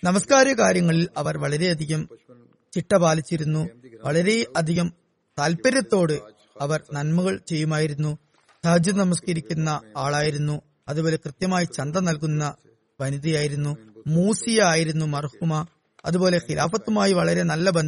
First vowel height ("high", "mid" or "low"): low